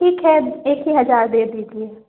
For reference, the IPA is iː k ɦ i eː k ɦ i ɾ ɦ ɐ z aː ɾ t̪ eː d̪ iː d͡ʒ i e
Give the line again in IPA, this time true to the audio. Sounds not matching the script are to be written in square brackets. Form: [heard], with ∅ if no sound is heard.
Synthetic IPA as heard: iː k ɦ [ɛ] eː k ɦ i [∅] ɦ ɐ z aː ɾ [d̪] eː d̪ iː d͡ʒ i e